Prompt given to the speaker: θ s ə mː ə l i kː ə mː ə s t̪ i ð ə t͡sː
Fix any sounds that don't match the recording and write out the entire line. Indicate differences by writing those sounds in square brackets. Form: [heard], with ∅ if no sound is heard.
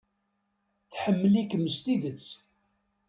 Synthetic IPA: θ [ħ] ə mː ə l i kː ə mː ə s t̪ i ð ə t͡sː

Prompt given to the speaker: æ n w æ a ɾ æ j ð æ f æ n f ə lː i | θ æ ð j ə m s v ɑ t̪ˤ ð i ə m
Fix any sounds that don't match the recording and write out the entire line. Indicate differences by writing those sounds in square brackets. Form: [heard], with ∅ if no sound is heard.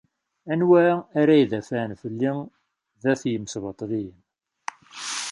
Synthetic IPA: æ n w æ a ɾ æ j ð æ f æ n f ə lː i | [ð] æ [θ] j ə m s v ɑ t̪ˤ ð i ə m

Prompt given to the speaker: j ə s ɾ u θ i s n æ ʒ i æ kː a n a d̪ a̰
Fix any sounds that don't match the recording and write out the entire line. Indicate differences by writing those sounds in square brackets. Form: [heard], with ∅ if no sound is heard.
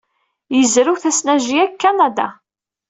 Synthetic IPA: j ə [z] ɾ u θ [æ] s n æ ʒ i æ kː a n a d̪ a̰

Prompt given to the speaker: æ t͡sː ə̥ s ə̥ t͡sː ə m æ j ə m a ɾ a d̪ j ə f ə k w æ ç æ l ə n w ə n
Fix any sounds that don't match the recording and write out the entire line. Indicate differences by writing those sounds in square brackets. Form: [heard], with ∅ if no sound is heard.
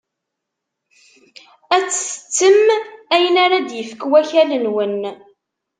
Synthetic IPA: æ t͡sː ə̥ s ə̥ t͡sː ə m æ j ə [n] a ɾ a d̪ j ə f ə k w æ ç æ l ə n w ə n

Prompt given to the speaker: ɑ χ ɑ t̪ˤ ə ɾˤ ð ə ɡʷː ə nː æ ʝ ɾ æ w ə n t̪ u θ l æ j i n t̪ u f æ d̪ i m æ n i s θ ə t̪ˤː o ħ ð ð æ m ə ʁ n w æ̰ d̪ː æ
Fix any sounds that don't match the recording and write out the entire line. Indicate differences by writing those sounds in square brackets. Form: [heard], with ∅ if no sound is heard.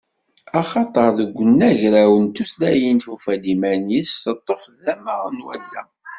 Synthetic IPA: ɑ χ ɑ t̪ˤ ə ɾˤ ð ə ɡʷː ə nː æ ʝ ɾ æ w ə n t̪ u θ l æ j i n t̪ u f æ d̪ i m æ n i s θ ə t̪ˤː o [f] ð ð æ m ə ʁ n w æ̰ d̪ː æ

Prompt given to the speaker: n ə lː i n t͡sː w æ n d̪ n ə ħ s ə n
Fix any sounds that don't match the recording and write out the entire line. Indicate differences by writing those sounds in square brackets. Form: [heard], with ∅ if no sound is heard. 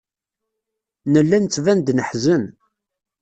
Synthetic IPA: n ə lː [æ] n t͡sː [v] æ n d̪ n ə ħ [z] ə n

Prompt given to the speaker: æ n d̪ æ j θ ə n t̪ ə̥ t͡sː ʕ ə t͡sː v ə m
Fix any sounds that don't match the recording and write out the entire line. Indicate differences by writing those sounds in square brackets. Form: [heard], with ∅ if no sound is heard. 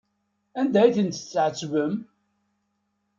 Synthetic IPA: æ n d̪ æ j θ ə n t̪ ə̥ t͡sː ʕ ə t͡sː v ə m

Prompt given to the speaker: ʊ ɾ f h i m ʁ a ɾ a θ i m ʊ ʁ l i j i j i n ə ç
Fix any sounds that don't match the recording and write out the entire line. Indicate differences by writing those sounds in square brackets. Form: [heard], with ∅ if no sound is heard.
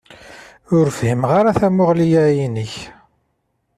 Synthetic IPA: ʊ ɾ f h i m ʁ a ɾ a θ [æ] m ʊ ʁ l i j [æ] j i n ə ç

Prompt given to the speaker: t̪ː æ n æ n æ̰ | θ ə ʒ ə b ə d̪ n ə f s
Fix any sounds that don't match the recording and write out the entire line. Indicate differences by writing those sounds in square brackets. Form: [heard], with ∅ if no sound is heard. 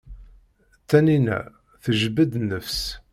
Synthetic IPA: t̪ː æ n [i] n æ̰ | θ ə ʒ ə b ə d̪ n ə f s

